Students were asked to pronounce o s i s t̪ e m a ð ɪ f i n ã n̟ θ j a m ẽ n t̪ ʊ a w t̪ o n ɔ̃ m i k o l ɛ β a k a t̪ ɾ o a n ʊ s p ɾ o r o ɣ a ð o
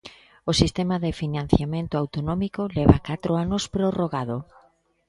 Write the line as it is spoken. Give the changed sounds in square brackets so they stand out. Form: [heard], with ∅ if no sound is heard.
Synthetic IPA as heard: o s i s t̪ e m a ð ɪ f i n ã n̟ θ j a m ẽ n t̪ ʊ a w t̪ o n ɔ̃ m i k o l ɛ β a k a t̪ ɾ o a n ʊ s p ɾ o r o ɣ a ð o